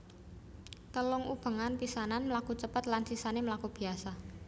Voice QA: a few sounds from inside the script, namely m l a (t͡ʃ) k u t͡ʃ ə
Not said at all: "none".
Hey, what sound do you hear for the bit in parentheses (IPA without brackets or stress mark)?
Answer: none